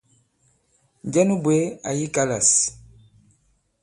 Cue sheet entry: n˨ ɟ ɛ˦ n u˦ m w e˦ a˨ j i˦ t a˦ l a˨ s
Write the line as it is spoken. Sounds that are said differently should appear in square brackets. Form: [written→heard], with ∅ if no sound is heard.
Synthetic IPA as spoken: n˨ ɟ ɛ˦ n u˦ [m→b] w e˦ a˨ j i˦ [t→k] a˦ l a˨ s